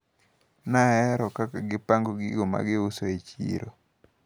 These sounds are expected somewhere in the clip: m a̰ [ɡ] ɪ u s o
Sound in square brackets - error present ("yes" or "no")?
no